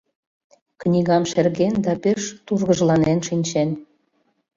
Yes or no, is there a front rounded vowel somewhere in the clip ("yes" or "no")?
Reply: no